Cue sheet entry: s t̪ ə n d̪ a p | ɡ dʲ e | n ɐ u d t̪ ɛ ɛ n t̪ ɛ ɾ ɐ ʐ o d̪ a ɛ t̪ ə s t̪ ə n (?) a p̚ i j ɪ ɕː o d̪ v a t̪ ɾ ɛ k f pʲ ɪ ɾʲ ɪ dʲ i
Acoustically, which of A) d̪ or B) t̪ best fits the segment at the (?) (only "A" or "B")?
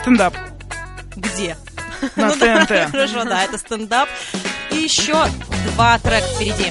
A